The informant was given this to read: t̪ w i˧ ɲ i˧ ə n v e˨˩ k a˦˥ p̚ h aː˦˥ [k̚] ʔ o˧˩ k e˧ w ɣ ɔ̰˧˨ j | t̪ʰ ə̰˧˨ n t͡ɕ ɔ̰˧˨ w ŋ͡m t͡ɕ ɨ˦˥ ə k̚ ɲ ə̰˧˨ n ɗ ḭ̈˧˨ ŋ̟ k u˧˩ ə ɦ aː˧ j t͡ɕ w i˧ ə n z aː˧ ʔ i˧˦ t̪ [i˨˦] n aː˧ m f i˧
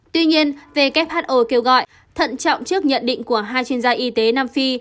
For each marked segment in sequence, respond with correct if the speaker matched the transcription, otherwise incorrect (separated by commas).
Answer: incorrect, incorrect